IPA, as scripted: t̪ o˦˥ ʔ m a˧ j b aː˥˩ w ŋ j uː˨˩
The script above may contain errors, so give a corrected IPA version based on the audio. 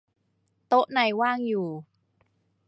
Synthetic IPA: t̪ o˦˥ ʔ n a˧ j w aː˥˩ ŋ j uː˨˩